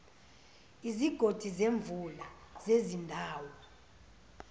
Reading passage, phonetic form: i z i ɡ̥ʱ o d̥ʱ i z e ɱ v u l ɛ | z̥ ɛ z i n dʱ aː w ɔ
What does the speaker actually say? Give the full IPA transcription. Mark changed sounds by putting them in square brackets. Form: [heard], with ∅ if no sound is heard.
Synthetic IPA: i z i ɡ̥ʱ o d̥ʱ i z e ɱ v u l [a] | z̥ [e] z i n dʱ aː w ɔ